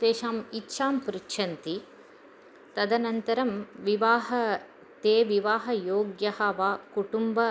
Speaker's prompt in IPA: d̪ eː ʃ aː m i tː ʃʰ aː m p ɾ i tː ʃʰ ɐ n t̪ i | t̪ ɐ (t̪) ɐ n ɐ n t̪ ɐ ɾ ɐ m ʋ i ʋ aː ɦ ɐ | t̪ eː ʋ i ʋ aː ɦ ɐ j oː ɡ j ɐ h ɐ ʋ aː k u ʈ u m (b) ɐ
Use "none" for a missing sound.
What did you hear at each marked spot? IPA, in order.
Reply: d̪, b

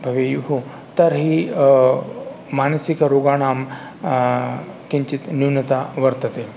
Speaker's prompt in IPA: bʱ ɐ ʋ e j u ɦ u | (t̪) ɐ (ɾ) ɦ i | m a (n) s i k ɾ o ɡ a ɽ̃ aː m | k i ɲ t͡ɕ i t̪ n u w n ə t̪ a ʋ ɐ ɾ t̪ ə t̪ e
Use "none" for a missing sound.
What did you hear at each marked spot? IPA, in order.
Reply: t̪, ɾ, n

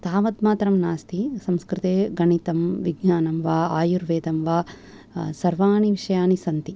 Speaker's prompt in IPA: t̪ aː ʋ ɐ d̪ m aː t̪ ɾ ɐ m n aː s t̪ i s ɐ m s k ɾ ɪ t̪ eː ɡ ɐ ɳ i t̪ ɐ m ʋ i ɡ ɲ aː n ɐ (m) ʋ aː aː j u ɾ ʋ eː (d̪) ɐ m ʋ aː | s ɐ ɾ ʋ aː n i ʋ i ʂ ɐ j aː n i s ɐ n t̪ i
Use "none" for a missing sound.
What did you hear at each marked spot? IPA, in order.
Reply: m, d̪

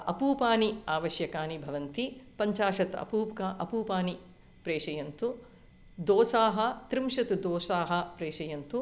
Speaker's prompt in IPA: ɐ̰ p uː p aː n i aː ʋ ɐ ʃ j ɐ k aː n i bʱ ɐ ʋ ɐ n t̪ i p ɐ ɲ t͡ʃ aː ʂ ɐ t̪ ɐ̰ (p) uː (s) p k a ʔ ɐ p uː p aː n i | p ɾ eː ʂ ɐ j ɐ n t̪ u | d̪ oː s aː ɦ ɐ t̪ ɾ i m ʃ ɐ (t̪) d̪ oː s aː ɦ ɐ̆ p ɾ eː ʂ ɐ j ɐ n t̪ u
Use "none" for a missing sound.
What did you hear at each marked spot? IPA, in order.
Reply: p, none, t̪

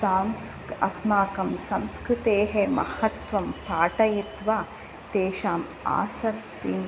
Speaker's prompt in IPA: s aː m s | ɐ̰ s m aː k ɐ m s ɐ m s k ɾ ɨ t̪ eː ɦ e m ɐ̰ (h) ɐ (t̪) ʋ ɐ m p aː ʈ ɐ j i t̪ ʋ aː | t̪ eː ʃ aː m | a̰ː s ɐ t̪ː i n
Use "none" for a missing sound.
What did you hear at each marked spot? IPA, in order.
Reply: h, t̪

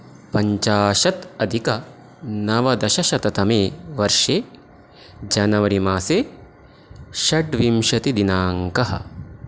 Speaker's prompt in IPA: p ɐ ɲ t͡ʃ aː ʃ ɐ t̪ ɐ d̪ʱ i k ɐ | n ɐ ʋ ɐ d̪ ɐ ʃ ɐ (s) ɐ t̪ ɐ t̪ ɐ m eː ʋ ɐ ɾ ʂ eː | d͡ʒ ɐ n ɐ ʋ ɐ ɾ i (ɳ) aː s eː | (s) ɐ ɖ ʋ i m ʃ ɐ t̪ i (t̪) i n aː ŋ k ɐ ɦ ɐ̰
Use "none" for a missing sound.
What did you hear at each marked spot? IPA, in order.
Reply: ʃ, m, ʃ, d̪

